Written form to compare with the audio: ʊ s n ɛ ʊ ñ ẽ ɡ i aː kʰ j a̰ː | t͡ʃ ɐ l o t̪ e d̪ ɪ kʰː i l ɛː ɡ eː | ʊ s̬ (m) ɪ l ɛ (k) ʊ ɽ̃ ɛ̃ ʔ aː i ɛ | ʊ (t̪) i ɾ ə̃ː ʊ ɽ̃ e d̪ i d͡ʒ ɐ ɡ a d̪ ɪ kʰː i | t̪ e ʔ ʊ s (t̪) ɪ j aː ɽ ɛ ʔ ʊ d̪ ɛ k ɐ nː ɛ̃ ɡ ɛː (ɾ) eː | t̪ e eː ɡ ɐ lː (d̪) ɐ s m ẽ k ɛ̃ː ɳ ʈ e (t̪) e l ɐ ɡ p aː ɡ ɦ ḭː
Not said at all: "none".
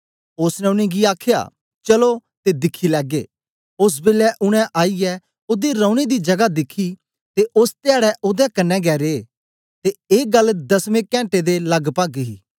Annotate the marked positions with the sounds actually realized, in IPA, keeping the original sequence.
b, ʔ, d̪, t̪, ɾ, d̪, d̪

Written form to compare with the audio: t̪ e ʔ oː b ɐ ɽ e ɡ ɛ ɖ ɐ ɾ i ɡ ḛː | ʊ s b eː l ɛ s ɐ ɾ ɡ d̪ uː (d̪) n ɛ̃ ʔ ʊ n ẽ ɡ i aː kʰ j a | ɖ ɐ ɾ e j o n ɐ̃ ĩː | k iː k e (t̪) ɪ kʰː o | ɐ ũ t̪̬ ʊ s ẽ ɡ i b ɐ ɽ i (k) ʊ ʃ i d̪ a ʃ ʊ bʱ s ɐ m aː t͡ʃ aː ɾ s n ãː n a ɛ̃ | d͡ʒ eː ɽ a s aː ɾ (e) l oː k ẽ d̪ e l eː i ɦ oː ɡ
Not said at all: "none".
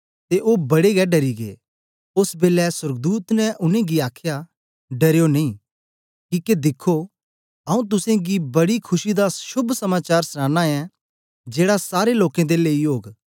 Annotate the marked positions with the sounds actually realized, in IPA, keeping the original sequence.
t̪, d̪, kʰ, e

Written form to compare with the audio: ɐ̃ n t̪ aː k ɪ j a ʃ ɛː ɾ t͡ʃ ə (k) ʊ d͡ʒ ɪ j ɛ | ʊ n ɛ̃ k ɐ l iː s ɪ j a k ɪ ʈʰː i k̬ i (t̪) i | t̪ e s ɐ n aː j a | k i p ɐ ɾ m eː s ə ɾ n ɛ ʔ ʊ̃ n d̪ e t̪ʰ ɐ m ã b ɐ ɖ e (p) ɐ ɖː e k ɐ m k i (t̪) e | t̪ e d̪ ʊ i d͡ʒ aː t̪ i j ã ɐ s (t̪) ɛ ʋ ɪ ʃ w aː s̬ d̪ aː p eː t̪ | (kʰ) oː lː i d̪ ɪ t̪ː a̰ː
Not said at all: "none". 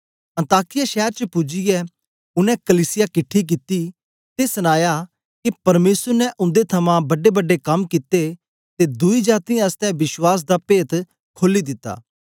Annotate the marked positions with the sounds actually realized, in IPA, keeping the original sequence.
p, t̪, b, t̪, t̪, kʰ

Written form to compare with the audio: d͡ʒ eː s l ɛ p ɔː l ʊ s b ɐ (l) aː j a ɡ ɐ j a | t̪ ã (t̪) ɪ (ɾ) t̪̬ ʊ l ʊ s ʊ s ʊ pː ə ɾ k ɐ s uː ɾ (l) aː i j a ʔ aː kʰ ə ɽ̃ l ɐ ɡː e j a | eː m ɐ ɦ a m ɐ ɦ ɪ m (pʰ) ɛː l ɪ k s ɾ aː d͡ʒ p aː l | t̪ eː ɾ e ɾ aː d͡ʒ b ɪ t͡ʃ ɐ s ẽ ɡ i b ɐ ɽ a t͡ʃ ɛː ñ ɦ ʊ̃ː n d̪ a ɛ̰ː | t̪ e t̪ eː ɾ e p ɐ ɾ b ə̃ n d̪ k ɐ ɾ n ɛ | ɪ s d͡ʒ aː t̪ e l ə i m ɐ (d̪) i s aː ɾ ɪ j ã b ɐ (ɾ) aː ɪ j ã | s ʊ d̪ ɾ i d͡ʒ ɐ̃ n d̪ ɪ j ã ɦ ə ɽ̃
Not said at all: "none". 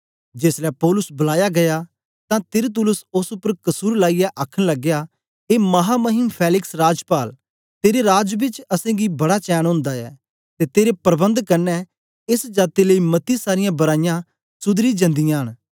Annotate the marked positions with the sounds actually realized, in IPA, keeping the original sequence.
l, t̪, ɾ, l, pʰ, t̪, ɾ

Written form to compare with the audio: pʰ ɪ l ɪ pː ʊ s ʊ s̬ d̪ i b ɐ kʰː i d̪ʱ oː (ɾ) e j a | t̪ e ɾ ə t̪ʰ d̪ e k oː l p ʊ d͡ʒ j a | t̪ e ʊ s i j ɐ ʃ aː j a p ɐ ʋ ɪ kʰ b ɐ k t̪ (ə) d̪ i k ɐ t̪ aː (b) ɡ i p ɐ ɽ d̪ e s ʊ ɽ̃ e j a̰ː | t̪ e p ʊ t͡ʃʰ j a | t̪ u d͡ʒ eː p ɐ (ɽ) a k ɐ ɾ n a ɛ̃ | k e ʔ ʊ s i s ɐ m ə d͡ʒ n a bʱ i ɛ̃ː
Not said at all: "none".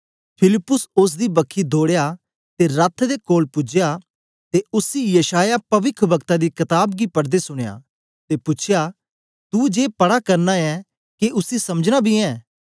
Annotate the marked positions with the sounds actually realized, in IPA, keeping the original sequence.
ɽ, a, b, ɽ

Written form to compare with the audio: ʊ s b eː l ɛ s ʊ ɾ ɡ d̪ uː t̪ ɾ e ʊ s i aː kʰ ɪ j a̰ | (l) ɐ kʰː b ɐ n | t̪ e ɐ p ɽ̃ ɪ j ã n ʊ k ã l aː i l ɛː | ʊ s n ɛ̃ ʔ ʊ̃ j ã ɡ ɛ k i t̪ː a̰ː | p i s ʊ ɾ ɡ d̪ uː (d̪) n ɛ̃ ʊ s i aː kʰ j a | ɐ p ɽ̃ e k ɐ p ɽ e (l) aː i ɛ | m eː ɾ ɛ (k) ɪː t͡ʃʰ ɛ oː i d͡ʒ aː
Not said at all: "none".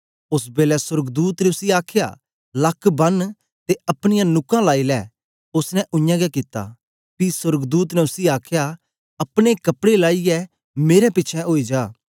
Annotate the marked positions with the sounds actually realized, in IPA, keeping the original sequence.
l, t̪, l, p

